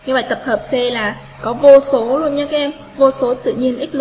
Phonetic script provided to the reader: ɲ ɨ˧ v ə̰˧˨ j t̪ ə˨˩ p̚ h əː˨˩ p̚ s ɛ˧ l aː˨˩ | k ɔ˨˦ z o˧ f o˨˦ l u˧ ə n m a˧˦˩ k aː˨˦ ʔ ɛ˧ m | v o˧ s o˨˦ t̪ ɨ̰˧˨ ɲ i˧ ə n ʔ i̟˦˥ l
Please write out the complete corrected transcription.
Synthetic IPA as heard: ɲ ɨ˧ v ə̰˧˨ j t̪ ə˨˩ p̚ h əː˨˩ p̚ s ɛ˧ l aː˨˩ | k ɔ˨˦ v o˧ s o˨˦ l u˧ ə n ɲ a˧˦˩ k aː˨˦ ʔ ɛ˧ m | v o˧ s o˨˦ t̪ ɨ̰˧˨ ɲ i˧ ə n ʔ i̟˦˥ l

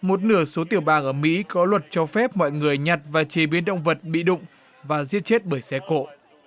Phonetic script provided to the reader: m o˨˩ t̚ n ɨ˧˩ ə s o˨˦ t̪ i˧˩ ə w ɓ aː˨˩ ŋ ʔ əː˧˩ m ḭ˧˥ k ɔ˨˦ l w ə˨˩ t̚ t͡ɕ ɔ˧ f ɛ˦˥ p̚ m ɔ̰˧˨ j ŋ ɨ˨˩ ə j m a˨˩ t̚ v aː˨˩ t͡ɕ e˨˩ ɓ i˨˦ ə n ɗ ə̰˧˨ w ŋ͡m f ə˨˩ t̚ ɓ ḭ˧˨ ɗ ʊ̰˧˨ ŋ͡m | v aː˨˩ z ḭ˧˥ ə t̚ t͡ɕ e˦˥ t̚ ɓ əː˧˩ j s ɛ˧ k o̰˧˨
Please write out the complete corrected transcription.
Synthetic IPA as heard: m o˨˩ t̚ n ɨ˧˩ ə s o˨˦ t̪ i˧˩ ə w ɓ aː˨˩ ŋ ʔ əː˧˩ m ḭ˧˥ k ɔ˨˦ l w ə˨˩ t̚ t͡ɕ ɔ˧ f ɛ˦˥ p̚ m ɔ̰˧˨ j ŋ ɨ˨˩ ə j ɲ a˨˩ t̚ v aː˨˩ t͡ɕ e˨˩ ɓ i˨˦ ə n ɗ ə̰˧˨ w ŋ͡m v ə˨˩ t̚ ɓ ḭ˧˨ ɗ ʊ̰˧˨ ŋ͡m | v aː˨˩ z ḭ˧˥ ə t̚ t͡ɕ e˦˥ t̚ ɓ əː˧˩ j s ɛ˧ k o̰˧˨

